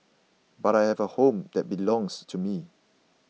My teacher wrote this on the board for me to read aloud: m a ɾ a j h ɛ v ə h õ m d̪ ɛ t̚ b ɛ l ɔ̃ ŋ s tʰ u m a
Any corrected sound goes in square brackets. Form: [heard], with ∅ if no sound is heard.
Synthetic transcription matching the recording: [b] a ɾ a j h ɛ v ə h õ m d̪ ɛ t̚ b [i] l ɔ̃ ŋ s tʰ u m [i]